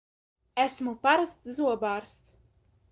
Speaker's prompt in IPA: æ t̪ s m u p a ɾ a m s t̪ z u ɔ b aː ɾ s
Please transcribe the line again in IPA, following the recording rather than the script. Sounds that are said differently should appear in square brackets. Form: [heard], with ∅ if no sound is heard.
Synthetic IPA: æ [∅] s m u p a ɾ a [∅] s t̪ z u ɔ b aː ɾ s